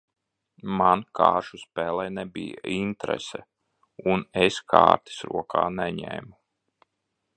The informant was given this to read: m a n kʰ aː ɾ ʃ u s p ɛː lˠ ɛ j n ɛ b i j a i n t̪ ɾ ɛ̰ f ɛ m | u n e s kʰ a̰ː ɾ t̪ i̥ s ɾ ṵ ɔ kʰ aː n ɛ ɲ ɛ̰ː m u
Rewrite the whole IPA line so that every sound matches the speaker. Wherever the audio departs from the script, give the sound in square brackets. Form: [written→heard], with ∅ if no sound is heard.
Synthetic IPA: m a n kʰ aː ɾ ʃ u s p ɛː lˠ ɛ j n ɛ b i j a i n t̪ ɾ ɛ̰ [f→s] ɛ [m→∅] | u n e s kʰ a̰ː ɾ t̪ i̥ s ɾ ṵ ɔ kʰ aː n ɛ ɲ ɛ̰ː m u